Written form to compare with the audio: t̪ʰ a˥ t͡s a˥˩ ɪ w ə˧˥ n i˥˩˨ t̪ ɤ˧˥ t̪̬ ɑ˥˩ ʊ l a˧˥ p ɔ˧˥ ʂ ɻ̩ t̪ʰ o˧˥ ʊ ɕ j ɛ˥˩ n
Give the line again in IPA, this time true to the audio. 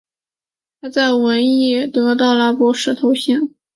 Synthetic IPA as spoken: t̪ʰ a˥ t͡s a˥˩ ɪ w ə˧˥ n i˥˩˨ t̪ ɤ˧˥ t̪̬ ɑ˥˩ ʊ l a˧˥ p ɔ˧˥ ʂ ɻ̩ t̪ʰ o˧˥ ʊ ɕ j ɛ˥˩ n